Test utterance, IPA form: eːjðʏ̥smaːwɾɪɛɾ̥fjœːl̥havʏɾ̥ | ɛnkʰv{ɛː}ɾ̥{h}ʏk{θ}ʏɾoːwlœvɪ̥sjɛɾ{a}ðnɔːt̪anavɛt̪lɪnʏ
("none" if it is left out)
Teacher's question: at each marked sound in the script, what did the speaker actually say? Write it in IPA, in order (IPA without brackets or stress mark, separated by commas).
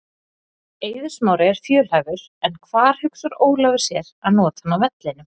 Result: aː, h, s, a